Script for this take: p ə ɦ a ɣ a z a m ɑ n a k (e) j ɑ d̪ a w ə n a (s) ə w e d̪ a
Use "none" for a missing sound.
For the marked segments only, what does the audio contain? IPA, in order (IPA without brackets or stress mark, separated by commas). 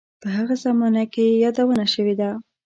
e, ʃ